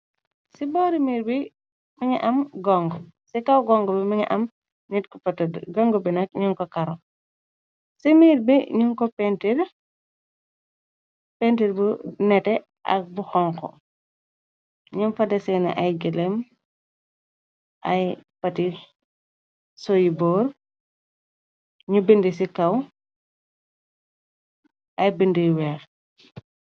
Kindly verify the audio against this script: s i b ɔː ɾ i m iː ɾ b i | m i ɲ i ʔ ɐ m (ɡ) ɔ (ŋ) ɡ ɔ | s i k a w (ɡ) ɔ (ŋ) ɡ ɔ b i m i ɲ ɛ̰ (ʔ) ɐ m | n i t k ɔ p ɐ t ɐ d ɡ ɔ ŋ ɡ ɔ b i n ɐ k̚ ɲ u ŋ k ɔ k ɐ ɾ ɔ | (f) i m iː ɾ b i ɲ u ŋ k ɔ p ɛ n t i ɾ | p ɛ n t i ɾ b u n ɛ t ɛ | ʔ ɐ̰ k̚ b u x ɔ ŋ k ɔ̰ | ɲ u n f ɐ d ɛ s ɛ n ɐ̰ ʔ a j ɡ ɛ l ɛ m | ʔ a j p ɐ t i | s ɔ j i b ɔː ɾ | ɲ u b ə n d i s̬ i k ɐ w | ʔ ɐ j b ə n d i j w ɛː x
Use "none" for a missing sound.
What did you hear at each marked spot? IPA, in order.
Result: ɡ, ŋ, ɡ, ŋ, ʔ, s

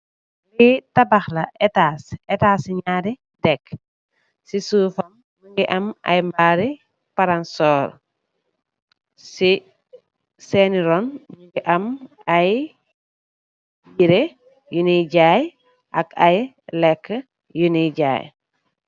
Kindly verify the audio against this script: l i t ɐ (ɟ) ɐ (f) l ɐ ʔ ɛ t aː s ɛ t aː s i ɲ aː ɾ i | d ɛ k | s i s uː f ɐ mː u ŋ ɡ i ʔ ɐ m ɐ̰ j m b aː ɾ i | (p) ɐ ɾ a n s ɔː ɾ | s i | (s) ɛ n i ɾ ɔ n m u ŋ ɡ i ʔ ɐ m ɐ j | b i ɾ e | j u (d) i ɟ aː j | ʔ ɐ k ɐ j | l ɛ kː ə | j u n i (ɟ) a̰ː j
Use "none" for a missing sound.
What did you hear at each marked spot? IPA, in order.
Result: b, x, p, s, n, ɟ

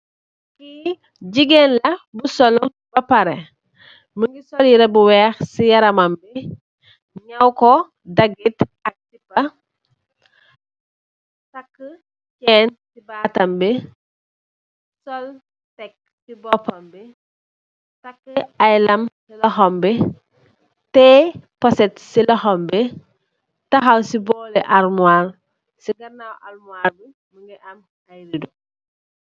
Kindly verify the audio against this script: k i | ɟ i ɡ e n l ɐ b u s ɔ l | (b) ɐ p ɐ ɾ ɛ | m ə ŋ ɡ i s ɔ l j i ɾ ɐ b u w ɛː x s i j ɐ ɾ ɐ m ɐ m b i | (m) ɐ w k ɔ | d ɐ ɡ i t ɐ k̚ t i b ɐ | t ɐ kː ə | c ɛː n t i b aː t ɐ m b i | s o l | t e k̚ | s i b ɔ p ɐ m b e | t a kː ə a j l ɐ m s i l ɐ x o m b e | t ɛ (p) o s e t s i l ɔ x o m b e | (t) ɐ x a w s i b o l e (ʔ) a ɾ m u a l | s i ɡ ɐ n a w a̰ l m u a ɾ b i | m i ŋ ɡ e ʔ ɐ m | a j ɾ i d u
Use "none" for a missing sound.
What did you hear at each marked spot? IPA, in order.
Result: b, ɲ, p, t, ʔ

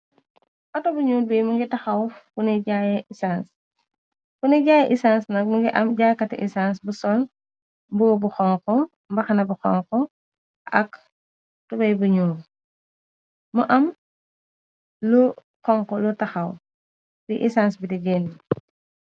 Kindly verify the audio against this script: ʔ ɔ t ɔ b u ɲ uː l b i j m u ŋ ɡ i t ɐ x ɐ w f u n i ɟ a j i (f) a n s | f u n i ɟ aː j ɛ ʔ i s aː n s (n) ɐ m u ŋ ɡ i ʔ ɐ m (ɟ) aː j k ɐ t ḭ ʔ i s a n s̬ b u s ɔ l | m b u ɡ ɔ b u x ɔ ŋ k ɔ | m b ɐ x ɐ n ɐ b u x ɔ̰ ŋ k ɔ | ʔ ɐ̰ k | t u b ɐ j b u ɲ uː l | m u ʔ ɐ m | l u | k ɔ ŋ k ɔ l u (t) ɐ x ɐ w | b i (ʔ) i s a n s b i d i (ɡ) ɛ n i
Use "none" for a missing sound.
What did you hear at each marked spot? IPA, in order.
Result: s, n, ɟ, t, ʔ, ɡ

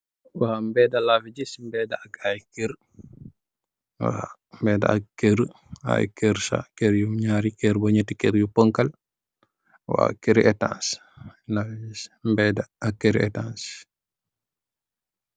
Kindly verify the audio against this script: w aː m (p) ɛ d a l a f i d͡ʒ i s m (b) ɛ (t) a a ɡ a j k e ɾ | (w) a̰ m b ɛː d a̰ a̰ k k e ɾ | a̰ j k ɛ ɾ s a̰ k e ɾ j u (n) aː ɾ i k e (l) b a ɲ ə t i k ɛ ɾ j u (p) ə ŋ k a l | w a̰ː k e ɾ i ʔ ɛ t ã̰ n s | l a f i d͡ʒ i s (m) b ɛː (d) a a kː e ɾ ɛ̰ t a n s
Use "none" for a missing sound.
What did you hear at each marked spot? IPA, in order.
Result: b, b, d, w, ɲ, ɾ, p, m, d

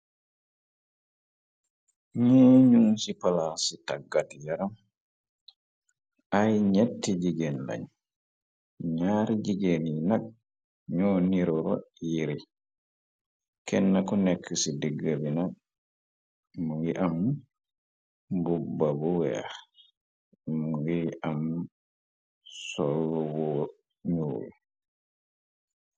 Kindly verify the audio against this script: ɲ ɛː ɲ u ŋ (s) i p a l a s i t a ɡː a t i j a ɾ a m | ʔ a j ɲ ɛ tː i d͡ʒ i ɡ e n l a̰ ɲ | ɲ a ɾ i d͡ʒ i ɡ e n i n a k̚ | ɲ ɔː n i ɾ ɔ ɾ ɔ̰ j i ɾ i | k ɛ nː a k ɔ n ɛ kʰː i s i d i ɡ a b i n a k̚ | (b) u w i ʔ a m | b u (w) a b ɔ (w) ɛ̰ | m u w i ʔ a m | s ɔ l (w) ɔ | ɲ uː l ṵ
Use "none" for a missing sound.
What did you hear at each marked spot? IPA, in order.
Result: s, m, b, w, w

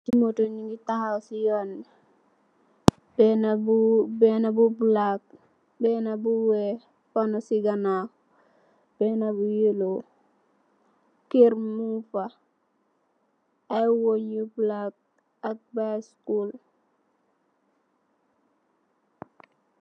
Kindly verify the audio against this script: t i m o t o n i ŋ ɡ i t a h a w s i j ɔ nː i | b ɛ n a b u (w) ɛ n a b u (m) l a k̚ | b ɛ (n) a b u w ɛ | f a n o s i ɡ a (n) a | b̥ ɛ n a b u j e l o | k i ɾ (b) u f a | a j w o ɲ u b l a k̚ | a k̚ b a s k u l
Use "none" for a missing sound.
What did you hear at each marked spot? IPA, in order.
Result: b, b, n, n, m

